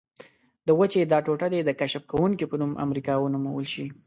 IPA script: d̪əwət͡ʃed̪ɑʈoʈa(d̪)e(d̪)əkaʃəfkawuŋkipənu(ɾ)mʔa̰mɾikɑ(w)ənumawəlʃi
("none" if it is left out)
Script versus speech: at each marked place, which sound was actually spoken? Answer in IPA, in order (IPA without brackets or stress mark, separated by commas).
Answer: d̪, d̪, none, w